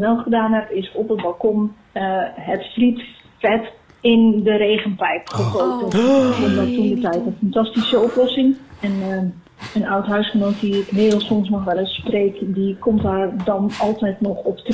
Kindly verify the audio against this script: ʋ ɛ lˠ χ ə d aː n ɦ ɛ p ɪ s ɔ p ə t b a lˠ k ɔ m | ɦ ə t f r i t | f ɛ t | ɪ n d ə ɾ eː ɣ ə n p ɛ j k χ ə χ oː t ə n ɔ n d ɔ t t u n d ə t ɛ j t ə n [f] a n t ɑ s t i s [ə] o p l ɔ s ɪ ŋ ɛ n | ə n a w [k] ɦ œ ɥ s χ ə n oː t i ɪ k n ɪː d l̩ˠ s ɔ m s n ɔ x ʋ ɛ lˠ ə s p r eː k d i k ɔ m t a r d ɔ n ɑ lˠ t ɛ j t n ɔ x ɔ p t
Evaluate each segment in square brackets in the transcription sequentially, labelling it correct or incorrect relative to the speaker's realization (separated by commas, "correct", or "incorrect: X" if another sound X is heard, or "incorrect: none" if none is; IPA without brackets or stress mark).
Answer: correct, correct, incorrect: t